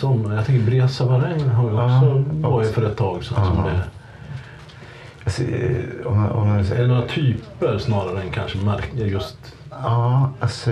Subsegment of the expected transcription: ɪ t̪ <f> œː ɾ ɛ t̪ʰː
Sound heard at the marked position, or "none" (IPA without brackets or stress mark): f